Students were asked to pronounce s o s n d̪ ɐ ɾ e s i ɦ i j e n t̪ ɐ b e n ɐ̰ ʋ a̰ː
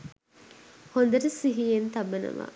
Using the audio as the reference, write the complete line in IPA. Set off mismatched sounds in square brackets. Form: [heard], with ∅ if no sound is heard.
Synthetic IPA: [h] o [∅] n d̪ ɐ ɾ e s i ɦ i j e n t̪ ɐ b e n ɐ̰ ʋ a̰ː